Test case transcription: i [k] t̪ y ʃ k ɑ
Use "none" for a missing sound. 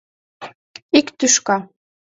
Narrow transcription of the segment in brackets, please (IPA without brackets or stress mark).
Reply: k